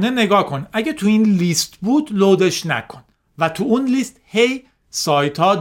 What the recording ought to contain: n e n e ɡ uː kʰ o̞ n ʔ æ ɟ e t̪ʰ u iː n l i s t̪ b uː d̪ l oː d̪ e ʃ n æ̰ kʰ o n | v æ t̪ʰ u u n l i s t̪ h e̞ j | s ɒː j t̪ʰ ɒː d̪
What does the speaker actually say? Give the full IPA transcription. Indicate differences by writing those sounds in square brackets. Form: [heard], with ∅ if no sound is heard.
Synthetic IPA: n e n e ɡ [ɒː] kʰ o̞ n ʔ æ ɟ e t̪ʰ u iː n l i s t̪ b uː d̪ l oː d̪ e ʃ n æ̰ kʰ o n | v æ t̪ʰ u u n l i s t̪ h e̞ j | s ɒː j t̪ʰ ɒː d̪